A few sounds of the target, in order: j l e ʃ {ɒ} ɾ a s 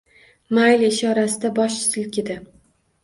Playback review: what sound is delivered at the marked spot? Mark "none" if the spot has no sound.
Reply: ɒ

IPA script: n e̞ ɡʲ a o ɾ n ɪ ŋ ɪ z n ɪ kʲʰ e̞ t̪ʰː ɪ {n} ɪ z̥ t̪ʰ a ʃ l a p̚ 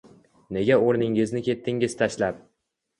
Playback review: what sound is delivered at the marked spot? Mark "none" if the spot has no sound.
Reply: ŋ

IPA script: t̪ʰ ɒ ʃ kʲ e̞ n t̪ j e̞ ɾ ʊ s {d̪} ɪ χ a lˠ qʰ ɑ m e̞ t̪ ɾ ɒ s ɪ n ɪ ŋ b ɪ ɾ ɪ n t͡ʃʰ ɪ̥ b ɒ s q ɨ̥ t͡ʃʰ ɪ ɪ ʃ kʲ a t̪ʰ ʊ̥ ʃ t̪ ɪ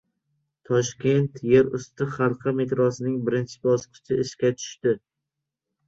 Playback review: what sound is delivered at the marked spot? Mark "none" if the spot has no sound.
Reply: t̪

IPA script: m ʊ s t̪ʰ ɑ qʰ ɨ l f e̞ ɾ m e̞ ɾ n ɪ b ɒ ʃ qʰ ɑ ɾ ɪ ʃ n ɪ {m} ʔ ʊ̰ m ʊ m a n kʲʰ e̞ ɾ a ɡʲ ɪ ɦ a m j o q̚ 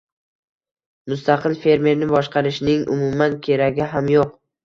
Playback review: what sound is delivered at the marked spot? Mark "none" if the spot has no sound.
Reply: ŋ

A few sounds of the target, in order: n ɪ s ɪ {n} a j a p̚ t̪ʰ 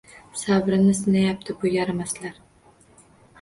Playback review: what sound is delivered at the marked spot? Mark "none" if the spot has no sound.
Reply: n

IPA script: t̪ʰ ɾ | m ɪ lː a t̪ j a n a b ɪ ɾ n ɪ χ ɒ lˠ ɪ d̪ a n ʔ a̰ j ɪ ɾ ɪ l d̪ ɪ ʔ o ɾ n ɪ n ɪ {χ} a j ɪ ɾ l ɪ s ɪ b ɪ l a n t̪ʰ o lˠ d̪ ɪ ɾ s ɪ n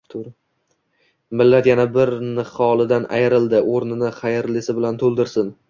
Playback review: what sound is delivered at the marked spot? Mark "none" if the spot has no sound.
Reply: χ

